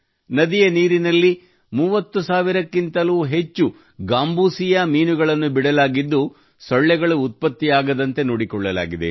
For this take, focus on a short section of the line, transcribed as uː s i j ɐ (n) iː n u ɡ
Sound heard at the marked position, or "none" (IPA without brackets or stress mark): m